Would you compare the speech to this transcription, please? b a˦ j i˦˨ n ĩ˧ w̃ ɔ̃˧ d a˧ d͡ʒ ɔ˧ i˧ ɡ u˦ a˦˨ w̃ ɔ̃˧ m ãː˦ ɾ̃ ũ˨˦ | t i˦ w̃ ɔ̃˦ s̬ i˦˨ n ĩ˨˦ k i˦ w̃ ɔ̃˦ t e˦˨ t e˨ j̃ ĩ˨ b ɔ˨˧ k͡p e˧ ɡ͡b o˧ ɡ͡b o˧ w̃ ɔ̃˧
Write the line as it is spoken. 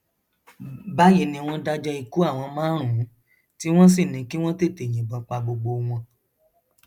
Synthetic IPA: b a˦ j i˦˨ n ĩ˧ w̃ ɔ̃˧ d a˧ d͡ʒ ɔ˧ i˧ k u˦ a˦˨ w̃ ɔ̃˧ m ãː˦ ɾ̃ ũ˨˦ | t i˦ w̃ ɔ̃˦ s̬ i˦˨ n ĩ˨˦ k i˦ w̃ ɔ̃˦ t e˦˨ t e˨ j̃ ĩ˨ b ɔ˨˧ k͡p a˧ ɡ͡b o˧ ɡ͡b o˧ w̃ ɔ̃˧